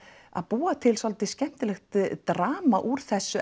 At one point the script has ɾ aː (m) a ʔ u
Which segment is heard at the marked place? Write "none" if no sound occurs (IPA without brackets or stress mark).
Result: m